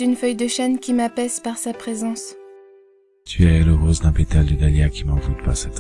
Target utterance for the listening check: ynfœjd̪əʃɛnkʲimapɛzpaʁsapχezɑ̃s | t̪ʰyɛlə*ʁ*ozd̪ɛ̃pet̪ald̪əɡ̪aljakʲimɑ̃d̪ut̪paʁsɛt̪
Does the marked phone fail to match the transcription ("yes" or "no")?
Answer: no